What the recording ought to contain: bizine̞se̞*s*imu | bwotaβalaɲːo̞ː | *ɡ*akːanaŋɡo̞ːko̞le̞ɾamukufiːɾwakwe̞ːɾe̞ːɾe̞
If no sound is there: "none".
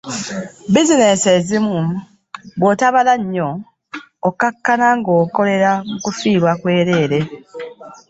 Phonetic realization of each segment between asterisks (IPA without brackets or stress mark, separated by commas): z, k